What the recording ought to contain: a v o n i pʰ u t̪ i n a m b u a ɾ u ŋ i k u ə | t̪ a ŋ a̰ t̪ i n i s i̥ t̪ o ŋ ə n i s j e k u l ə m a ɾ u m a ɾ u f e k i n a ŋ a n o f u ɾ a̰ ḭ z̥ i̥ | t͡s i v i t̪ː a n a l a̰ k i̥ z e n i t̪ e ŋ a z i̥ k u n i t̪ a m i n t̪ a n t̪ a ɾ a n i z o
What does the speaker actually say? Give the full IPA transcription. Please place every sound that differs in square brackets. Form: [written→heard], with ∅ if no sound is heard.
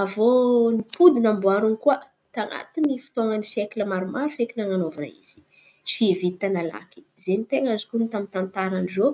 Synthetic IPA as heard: a v o n i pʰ u [t̪→d̪] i n a m b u a ɾ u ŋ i k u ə | t̪ a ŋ a̰ t̪ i n i [s→f] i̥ t̪ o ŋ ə n i s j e k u l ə m a ɾ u m a ɾ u f e k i n a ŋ a n o [f→v] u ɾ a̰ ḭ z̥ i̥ | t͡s i v i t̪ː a n a l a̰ k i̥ z e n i t̪ e ŋ a z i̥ k u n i t̪ a m i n t̪ a n t̪ a ɾ a n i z o